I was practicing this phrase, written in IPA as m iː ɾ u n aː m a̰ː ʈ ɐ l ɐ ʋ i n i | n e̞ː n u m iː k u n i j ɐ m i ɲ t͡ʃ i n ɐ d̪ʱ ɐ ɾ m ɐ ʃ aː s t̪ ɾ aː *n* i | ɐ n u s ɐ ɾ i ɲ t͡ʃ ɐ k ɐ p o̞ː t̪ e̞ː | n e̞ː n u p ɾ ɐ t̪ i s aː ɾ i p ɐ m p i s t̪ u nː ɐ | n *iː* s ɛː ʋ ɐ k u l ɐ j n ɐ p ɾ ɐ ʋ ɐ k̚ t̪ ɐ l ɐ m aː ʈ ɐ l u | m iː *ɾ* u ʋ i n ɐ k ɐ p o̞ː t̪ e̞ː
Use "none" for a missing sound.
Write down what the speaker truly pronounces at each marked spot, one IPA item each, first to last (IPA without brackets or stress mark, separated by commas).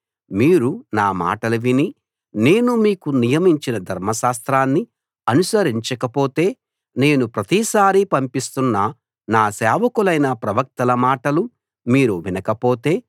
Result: nː, aː, ɾ